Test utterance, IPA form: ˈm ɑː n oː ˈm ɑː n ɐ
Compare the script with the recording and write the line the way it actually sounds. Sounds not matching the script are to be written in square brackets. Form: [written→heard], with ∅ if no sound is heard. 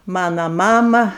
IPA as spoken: ˈm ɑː n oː ˈm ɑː [n→m] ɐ